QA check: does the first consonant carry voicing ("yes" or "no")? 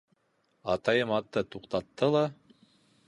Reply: no